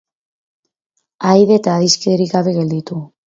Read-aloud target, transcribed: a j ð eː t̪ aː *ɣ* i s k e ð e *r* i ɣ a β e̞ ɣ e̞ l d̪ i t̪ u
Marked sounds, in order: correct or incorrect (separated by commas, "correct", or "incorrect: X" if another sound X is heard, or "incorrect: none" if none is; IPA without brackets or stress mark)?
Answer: incorrect: ð, incorrect: ɾ